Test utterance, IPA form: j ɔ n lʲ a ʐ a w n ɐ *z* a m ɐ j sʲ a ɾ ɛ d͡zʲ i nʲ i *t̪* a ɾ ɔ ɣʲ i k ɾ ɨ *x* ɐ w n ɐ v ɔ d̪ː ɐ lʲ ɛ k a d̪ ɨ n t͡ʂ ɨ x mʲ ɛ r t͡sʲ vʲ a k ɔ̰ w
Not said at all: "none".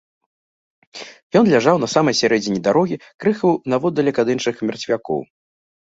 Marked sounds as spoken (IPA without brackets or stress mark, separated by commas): s, d̪, x